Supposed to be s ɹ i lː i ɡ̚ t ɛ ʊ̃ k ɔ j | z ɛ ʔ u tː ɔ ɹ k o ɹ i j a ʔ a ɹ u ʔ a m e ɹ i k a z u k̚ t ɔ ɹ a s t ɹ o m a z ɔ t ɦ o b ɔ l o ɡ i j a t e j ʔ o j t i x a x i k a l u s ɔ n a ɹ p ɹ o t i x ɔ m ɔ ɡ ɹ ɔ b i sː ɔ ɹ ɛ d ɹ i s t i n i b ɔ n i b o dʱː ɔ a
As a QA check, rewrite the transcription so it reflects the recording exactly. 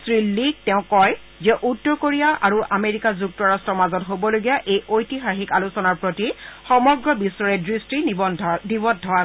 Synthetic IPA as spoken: s ɹ i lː i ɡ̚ t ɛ ʊ̃ k ɔ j | z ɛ ʔ u tː ɔ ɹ k o ɹ i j a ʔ a ɹ u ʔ a m e ɹ i k a z u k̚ t ɔ ɹ a s t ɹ ɔ m a z ɔ t ɦ o b ɔ l o ɡ i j a ʔ e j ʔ o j t i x a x i k a l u s ɔ n a ɹ p ɹ o t i x ɔ m ɔ ɡ ɹ ɔ b i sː ɔ ɹ ɛ d ɹ i s t i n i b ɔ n i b ɔ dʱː ɔ a